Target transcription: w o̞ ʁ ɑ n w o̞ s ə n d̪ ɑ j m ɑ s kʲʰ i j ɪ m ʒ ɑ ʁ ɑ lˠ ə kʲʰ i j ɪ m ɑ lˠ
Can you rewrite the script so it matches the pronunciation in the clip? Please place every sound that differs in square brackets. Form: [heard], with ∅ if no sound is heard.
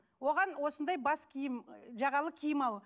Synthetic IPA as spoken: w o̞ ʁ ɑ n w o̞ s ə n d̪ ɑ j [b] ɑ s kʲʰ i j ɪ m ʒ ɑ ʁ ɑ lˠ ə kʲʰ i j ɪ m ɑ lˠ